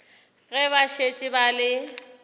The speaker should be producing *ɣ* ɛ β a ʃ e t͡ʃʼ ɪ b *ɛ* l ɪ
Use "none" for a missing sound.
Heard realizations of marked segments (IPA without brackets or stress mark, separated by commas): ɣ, a